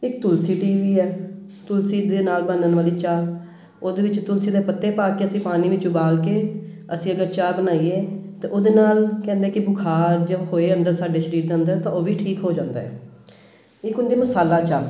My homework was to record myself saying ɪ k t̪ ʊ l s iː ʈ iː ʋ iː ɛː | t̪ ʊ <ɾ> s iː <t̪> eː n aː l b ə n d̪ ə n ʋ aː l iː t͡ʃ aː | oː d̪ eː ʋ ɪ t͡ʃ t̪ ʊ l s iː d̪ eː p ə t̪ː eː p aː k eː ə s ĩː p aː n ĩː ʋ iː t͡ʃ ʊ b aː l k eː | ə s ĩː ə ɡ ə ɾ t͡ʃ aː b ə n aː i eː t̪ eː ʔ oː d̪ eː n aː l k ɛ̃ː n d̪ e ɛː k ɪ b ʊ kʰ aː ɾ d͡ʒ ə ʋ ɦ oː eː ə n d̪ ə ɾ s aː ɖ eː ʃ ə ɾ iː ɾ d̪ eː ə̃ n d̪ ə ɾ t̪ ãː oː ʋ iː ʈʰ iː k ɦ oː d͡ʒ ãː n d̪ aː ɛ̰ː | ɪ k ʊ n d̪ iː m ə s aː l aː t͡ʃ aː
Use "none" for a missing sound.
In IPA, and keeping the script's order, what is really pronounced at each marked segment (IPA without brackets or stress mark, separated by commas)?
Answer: l, d̪